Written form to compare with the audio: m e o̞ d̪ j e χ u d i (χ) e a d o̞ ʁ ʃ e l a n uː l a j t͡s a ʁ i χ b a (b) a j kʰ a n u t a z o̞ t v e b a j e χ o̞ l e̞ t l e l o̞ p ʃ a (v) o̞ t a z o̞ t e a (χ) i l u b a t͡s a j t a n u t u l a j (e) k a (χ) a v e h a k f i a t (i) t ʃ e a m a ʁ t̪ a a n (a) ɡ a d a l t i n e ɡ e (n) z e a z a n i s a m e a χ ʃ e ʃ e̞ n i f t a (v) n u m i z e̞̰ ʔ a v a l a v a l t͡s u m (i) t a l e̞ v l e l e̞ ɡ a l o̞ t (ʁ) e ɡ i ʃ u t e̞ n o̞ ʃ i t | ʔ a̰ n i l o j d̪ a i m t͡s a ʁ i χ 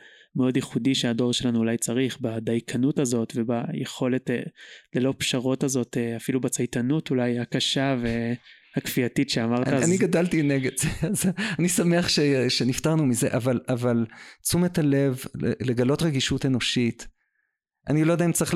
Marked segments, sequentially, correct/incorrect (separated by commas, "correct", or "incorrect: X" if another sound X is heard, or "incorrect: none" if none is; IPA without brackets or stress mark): incorrect: ʃ, incorrect: d, incorrect: ʁ, incorrect: f, incorrect: a, incorrect: ʃ, correct, incorrect: i, incorrect: d, incorrect: ʁ, incorrect: e, correct